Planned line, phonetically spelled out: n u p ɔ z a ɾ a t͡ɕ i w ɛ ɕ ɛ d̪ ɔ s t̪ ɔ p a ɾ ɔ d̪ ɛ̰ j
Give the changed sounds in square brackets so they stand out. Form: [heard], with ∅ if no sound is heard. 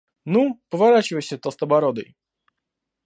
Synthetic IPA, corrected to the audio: n u p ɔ [v] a ɾ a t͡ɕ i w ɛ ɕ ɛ [t̪] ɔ s t̪ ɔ [b] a ɾ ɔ d̪ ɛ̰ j